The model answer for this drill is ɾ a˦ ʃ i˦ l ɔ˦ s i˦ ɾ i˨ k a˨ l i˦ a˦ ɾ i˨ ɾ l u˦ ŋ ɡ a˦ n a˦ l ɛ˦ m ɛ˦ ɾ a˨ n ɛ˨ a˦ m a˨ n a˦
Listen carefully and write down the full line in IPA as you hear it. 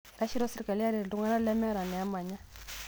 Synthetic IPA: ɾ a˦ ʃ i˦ ɾ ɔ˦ s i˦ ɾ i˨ k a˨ l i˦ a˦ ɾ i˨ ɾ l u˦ ŋ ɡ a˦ n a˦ l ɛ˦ m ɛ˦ ɾ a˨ n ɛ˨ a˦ m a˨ ɲ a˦